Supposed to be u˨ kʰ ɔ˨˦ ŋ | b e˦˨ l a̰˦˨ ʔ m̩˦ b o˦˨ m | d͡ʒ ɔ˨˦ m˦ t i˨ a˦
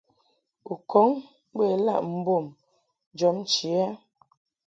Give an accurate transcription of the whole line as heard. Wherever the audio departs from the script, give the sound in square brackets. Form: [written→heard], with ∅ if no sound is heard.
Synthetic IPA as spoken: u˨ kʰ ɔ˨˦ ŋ | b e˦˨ l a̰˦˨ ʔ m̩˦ b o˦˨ m | d͡ʒ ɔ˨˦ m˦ [t→t͡ʃ] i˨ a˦